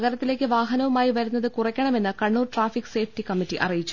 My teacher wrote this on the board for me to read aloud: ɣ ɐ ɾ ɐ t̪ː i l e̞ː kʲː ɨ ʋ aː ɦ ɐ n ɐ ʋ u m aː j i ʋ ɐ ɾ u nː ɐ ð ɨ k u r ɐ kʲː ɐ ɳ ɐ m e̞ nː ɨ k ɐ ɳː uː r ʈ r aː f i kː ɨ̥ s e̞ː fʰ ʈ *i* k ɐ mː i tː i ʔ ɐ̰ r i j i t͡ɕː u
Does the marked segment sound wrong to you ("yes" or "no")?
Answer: no